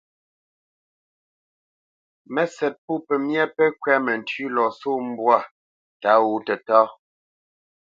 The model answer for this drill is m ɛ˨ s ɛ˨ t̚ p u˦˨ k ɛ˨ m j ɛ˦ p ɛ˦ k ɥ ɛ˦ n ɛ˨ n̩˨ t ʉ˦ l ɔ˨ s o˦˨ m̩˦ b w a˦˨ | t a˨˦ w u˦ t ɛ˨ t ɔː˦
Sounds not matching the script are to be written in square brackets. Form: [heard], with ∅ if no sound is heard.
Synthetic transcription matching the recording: m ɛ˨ s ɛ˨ t̚ p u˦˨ [p] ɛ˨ m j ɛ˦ p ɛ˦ k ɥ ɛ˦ [m] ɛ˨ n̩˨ t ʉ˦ l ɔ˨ s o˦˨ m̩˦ b w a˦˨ | t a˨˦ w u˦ t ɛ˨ t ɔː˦

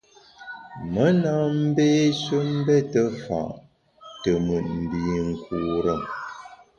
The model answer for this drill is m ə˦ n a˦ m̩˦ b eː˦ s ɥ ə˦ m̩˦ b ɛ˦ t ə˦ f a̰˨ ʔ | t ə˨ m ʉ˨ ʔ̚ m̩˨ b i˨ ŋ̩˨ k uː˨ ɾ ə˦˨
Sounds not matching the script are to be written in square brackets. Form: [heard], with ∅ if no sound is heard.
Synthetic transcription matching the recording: m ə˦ n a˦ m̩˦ b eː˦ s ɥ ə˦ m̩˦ b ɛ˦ t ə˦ f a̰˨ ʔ | t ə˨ m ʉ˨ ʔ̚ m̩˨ b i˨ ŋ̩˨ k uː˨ ɾ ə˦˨

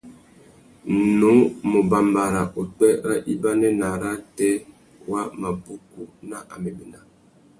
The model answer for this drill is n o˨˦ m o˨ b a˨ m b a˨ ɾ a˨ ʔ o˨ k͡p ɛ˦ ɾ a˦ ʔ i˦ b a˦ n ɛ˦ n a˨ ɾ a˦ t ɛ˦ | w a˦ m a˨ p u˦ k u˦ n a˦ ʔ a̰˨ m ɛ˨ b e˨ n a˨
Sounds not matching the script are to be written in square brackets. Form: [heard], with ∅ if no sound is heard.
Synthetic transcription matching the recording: n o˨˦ m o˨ b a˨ m b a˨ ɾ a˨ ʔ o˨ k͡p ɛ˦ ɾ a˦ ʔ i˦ b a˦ n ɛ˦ n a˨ ɾ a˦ t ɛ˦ | w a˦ m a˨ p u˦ k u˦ n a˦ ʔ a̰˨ m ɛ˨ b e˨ n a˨

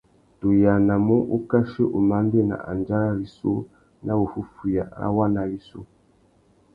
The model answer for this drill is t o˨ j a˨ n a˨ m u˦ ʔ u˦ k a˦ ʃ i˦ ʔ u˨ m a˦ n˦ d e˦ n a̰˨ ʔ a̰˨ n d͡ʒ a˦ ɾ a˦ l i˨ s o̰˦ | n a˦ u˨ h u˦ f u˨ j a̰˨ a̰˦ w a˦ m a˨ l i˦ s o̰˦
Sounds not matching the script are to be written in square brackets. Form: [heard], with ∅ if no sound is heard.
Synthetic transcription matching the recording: t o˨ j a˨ n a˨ m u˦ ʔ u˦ k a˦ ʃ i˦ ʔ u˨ m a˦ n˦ d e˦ n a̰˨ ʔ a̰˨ n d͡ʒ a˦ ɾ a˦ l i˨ s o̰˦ | n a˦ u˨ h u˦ f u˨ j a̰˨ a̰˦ w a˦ [n] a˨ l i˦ s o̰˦

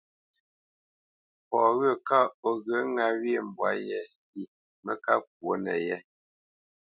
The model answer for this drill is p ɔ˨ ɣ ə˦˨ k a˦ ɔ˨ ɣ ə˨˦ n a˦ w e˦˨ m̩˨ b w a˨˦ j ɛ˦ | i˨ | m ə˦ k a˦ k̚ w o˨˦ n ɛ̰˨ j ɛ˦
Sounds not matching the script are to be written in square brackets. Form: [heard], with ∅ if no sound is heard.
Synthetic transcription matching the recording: p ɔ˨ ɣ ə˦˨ k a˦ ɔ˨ ɣ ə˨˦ [ŋ] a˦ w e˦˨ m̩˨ b w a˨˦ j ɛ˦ | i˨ | m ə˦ k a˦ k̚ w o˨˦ n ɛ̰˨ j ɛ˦

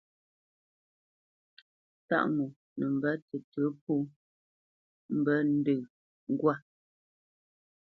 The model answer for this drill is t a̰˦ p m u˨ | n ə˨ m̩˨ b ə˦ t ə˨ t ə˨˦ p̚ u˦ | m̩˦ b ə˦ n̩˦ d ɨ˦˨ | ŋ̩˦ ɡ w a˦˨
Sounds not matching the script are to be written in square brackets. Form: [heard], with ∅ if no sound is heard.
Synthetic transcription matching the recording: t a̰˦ [ʔ] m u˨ | n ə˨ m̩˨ b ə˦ t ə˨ t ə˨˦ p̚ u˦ | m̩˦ b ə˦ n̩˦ d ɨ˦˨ | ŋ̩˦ ɡ w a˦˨

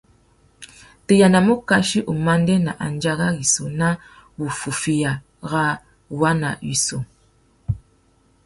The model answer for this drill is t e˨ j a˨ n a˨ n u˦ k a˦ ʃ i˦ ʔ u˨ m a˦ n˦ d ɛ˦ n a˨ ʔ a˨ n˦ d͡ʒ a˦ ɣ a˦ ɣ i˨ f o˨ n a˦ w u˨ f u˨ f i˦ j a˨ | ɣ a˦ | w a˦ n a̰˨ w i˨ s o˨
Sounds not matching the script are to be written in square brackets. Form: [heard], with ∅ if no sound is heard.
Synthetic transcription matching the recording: t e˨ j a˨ n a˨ [m] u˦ k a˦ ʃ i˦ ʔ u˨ m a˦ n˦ d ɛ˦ n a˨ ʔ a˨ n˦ d͡ʒ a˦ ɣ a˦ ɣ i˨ [s] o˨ n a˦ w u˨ f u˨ f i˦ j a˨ | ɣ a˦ | w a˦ n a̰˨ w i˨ s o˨

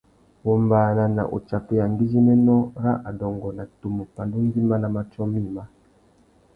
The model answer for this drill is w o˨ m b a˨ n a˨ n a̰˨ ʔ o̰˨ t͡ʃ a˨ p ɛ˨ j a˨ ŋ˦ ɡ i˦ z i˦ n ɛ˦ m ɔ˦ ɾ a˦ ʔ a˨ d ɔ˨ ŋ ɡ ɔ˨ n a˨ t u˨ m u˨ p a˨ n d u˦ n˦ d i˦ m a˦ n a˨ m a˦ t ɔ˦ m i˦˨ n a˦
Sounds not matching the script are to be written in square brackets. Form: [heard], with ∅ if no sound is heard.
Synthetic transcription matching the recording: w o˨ m b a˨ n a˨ n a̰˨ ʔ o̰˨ t͡ʃ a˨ p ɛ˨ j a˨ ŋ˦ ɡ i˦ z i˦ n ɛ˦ [n] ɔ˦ ɾ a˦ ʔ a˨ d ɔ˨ ŋ ɡ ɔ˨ n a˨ t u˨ m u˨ p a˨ n d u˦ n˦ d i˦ m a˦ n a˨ m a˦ [t͡ʃ] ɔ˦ m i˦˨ [m] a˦

